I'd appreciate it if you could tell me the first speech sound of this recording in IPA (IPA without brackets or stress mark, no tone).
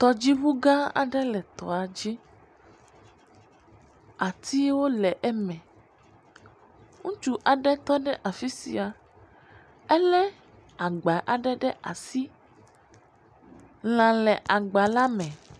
t̪